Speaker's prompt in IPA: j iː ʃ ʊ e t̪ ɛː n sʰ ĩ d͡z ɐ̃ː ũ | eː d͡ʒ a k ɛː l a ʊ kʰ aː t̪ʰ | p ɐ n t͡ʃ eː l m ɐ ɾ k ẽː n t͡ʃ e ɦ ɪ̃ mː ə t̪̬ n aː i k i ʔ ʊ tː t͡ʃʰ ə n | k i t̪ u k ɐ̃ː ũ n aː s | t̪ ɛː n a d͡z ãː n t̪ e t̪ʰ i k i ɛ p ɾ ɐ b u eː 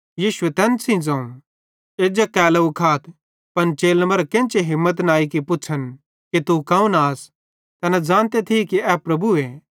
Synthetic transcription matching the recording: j iː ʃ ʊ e t̪ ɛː n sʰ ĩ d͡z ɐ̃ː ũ | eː d͡ʒ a k ɛː l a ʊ kʰ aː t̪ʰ | p ɐ n t͡ʃ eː l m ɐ ɾ k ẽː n t͡ʃ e ɦ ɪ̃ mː ə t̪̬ n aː i k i p ʊ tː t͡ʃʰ ə n | k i t̪ u k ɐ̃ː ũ n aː s | t̪ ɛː n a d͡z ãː n t̪ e t̪ʰ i k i ɛ p ɾ ɐ b u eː

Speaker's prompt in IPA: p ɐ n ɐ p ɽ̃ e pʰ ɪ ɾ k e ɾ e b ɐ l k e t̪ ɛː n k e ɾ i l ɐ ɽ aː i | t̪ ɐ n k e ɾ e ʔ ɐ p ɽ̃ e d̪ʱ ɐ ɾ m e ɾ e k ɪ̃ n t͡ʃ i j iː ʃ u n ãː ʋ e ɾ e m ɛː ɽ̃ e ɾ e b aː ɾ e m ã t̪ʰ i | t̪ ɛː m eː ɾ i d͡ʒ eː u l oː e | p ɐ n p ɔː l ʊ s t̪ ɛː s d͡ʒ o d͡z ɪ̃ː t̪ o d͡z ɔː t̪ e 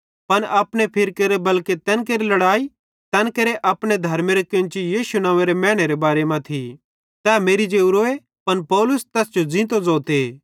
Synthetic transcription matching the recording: p ɐ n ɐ p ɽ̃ e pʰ ɪ ɾ k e ɾ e b ɐ l k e t̪ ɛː n k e ɾ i l ɐ ɽ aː i | t̪ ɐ n k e ɾ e ʔ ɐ p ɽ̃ e d̪ʱ ɐ ɾ m e ɾ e k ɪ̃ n t͡ʃ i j iː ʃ u n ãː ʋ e ɾ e m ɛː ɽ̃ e ɾ e b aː ɾ e m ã t̪ʰ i | t̪ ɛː m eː ɾ i d͡ʒ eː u ɾ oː e | p ɐ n p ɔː l ʊ s t̪ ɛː s d͡ʒ o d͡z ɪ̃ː t̪ o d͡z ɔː t̪ e

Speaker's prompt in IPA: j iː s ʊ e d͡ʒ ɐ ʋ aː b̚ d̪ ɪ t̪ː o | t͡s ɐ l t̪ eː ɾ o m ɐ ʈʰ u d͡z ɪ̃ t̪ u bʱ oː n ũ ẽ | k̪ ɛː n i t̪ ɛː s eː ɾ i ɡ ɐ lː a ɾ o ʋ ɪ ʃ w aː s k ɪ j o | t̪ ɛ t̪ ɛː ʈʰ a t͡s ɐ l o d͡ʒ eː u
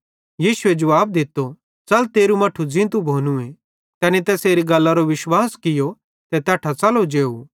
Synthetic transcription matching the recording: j iː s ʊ e d͡ʒ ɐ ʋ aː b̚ d̪ ɪ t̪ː o | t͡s ɐ l t̪ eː ɾ u m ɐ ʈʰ u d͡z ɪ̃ t̪ u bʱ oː n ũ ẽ | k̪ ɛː n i t̪ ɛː s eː ɾ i ɡ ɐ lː a ɾ o ʋ ɪ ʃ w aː s k ɪ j o | t̪ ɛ t̪ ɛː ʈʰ a t͡s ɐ l o d͡ʒ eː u

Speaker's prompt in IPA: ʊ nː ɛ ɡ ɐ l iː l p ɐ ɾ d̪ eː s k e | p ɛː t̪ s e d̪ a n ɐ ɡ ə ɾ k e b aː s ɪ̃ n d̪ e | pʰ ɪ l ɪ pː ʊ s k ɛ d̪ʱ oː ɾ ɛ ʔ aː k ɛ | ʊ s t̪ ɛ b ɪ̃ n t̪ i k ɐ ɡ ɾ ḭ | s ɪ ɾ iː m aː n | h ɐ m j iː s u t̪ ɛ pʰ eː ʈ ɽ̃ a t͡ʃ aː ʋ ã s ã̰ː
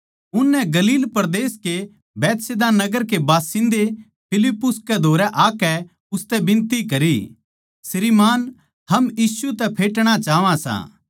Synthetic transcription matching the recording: ʊ nː ɛ ɡ ɐ l iː l p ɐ ɾ d̪ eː s k e | b ɛː t̪ s e d̪ a n ɐ ɡ ə ɾ k e b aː s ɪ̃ n d̪ e | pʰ ɪ l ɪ pː ʊ s k ɛ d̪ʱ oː ɾ ɛ ʔ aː k ɛ | ʊ s t̪ ɛ b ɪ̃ n t̪ i k ɐ ɾ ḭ | s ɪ ɾ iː m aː n | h ɐ m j iː s u t̪ ɛ pʰ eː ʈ ɽ̃ a t͡ʃ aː ʋ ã s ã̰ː

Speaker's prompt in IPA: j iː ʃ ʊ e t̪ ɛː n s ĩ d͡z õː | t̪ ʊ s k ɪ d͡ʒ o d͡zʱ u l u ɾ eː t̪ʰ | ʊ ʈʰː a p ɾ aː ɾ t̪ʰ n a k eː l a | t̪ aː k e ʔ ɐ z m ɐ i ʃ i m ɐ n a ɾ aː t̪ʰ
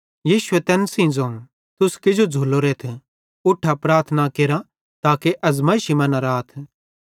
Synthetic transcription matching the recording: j iː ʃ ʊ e t̪ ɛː n s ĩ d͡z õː | t̪ ʊ s k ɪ d͡ʒ o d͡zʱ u l o ɾ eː t̪ʰ | ʊ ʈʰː a p ɾ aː ɾ t̪ʰ n a k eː ɾ a | t̪ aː k e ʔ ɐ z m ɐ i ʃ i m ɐ n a ɾ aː t̪ʰ

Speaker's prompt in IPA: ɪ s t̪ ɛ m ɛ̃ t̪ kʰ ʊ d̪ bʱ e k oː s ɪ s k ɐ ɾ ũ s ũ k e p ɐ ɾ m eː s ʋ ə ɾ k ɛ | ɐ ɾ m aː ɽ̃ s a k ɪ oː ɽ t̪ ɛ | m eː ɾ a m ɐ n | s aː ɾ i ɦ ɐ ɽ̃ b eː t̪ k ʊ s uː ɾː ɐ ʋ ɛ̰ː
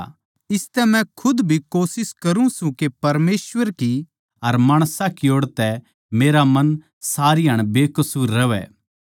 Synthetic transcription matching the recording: ɪ s t̪ ɛ m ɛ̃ kʰ ʊ d̪ bʱ i k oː s ɪ s k ɐ ɾ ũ s ũ k e p ɐ ɾ m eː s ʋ ə ɾ k i | ɐ ɾ m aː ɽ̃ s a k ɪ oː ɽ t̪ ɛ | m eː ɾ a m ɐ n | s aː ɾ i ɦ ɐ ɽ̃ b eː k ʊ s uː ɾː ɐ ʋ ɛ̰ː

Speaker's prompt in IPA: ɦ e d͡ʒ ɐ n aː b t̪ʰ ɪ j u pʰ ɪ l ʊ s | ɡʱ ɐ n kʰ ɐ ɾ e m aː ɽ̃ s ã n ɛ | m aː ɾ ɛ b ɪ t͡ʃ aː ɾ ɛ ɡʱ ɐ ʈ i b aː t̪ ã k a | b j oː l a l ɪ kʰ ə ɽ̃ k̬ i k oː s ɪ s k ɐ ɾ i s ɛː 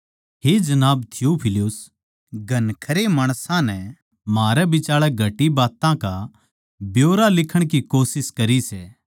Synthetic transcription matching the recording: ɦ e d͡ʒ ɐ n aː b t̪ʰ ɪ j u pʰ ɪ l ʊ s | ɡʱ ɐ n kʰ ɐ ɾ e m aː ɽ̃ s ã n ɛ | m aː ɾ ɛ b ɪ t͡ʃ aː ɭ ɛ ɡʱ ɐ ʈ i b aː t̪ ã k a | b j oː ɾ a l ɪ kʰ ə ɽ̃ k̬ i k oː s ɪ s k ɐ ɾ i s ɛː

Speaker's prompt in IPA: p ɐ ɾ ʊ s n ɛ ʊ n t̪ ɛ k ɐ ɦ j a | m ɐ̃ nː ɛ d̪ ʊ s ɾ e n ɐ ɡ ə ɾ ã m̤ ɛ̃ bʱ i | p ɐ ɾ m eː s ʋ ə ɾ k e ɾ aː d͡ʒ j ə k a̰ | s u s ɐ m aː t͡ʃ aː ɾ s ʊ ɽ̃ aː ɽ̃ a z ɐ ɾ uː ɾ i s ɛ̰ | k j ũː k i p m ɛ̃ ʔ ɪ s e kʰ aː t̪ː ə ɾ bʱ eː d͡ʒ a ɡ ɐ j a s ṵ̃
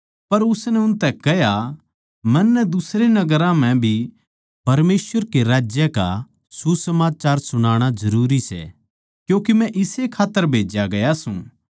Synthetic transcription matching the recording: p ɐ ɾ ʊ s n ɛ ʊ n t̪ ɛ k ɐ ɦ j a | m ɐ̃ nː ɛ d̪ ʊ s ɾ e n ɐ ɡ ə ɾ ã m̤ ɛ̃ bʱ i | p ɐ ɾ m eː s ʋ ə ɾ k e ɾ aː d͡ʒ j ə k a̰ | s u s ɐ m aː t͡ʃ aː ɾ s ʊ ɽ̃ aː ɽ̃ a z ɐ ɾ uː ɾ i s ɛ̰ | k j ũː k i m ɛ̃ ʔ ɪ s e kʰ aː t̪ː ə ɾ bʱ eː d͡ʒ a ɡ ɐ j a s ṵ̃

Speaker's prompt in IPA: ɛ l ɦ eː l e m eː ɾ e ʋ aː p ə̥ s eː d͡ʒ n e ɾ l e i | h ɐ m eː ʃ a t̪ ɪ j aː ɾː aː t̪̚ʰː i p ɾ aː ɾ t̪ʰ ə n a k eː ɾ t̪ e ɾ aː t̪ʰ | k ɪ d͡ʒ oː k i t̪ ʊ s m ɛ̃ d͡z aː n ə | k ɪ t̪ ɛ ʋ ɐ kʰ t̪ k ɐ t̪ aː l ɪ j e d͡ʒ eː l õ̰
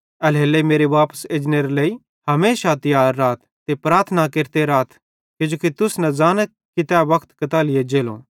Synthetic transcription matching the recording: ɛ l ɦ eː l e m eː ɾ e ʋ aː p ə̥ s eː d͡ʒ n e ɾ l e i | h ɐ m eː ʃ a t̪ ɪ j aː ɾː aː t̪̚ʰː e p ɾ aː ɾ t̪ʰ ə n a k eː ɾ t̪ e ɾ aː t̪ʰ | k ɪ d͡ʒ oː k i t̪ ʊ s n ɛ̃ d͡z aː n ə | k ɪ t̪ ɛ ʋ ɐ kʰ t̪ k ɐ t̪ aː l ɪ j e d͡ʒ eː l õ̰

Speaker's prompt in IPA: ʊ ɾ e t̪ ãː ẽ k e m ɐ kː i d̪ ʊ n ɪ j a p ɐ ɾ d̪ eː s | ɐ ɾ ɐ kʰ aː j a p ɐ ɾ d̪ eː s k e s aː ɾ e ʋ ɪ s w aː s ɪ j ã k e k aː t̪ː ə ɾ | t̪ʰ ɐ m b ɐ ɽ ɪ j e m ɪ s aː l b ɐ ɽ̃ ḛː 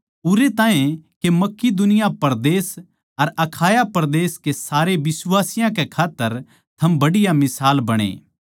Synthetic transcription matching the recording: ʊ ɾ e t̪ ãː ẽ k e m ɐ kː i d̪ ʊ n ɪ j a p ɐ ɾ d̪ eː s | ɐ ɾ ɐ kʰ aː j a p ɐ ɾ d̪ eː s k e s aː ɾ e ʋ ɪ s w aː s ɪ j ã k e kʰ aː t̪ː ə ɾ | t̪ʰ ɐ m b ɐ ɽ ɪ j a m ɪ s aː l b ɐ ɽ̃ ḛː

